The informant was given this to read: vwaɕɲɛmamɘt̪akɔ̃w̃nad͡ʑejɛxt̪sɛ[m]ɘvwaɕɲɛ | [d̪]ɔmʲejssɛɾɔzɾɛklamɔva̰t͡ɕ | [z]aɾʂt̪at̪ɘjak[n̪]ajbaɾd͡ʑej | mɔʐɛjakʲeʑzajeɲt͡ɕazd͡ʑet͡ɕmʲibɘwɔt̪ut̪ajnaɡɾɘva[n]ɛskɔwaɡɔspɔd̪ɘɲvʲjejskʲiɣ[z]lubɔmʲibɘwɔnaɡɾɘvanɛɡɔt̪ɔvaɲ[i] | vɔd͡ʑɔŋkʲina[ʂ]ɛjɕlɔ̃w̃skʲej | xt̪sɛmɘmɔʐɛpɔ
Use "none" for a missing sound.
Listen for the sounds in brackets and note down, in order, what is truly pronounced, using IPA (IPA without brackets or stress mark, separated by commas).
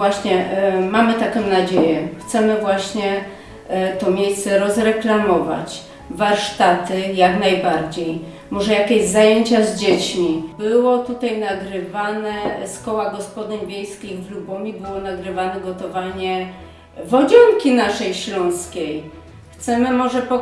m, t̪, v, n̪, n, v, ɛ, ʂ